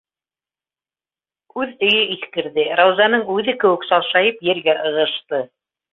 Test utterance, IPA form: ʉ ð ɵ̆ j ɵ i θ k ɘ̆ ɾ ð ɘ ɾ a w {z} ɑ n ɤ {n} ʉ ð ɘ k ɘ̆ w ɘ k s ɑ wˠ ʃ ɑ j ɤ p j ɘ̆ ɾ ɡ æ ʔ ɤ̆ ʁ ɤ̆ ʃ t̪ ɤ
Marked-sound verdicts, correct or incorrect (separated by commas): correct, incorrect